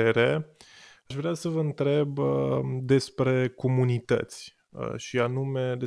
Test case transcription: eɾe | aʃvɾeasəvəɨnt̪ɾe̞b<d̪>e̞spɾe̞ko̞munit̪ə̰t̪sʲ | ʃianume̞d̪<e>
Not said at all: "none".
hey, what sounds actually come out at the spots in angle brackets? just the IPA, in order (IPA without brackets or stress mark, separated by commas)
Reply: d̪, e